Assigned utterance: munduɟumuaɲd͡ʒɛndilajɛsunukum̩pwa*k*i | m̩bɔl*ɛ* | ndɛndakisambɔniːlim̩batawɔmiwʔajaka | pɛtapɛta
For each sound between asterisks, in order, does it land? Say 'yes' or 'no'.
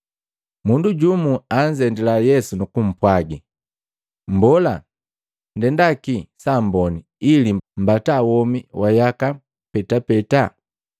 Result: no, no

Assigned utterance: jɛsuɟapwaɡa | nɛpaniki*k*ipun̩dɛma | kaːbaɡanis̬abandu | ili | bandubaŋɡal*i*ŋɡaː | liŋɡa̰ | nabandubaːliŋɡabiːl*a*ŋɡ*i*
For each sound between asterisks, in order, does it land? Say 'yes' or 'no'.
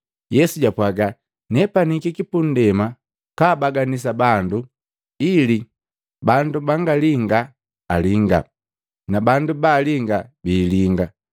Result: yes, yes, no, no

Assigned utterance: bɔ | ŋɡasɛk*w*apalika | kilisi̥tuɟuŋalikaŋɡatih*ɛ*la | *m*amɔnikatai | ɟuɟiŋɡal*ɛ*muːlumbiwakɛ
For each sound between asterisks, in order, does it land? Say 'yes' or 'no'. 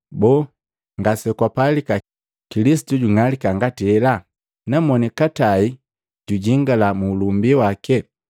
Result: yes, yes, no, no

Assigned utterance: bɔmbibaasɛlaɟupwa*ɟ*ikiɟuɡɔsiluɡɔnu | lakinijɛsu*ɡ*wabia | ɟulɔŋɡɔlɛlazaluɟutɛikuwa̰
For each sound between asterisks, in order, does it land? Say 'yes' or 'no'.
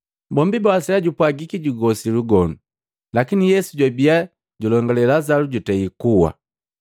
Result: no, no

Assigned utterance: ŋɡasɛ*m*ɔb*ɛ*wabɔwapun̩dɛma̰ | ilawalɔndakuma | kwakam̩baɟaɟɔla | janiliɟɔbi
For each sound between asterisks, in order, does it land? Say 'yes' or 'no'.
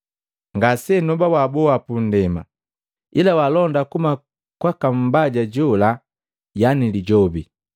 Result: no, no

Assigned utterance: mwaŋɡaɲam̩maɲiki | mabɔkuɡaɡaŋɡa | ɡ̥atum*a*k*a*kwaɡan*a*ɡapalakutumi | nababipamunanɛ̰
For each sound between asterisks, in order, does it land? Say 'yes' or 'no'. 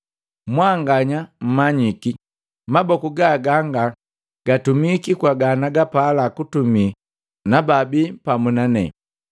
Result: no, no, yes

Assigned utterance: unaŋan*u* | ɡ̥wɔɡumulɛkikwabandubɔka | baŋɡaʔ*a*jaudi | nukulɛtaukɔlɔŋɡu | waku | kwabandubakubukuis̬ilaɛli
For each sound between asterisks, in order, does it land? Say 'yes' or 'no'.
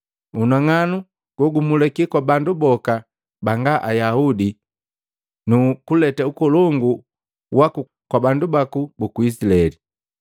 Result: yes, yes

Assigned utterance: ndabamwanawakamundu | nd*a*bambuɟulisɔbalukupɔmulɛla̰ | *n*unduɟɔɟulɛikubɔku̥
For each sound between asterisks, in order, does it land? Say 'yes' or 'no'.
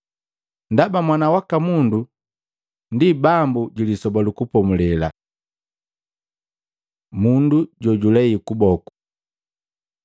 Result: no, no

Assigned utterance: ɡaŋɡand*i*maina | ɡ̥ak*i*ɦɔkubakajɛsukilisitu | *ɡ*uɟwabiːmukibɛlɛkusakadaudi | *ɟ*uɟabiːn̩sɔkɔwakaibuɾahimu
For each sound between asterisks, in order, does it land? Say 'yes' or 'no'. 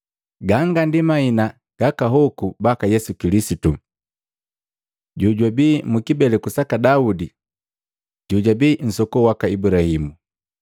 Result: yes, no, no, yes

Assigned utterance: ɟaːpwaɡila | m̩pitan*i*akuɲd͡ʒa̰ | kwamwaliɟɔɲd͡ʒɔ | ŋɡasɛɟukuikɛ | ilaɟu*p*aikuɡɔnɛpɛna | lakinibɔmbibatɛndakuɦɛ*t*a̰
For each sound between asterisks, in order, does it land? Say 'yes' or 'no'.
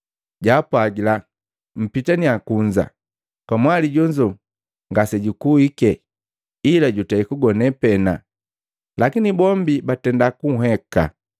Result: yes, no, no

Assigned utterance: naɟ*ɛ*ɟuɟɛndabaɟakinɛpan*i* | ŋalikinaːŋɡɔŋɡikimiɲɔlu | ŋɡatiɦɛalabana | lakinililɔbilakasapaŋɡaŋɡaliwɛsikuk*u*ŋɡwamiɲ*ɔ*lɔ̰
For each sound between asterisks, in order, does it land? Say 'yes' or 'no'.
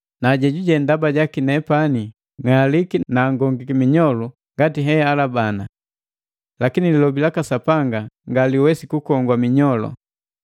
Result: yes, yes, no, yes

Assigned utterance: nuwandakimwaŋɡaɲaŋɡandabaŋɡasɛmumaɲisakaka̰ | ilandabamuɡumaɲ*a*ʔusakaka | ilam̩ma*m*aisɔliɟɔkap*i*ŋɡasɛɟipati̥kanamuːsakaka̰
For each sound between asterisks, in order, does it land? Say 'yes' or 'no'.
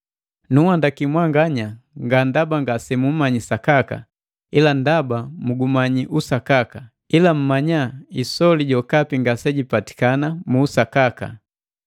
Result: no, no, yes

